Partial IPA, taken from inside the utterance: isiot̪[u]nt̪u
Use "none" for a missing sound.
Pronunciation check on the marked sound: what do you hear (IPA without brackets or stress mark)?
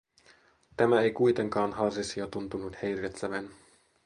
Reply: u